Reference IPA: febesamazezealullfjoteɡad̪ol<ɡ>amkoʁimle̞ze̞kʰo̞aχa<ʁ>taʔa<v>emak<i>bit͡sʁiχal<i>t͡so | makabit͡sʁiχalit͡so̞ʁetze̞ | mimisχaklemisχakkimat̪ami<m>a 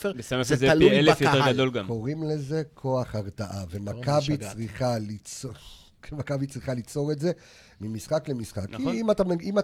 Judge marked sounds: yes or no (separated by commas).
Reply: yes, yes, yes, no, yes, yes